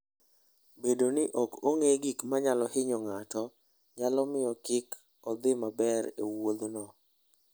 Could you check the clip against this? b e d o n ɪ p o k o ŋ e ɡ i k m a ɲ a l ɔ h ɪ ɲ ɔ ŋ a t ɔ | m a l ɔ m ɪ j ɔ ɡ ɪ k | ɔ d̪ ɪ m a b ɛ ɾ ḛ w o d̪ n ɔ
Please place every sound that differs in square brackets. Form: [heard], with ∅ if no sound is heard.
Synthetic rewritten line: b e d o n ɪ [ʔ] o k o ŋ e ɡ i k m a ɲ a l ɔ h ɪ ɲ ɔ ŋ a t ɔ | [ɲ] a l ɔ m ɪ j ɔ [k] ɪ k | ɔ d̪ ɪ m a b ɛ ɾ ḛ w o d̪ n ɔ